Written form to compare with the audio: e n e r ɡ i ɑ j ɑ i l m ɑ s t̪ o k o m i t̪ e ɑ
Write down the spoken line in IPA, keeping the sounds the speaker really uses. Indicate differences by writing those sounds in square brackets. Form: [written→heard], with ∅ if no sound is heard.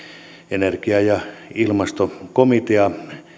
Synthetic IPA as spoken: e n e r [ɡ→k] i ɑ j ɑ i l m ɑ s t̪ o k o m i t̪ e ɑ